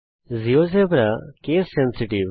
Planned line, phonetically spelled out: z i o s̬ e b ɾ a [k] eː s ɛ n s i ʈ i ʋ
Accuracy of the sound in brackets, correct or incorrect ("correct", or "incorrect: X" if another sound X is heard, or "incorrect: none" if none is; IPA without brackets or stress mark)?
correct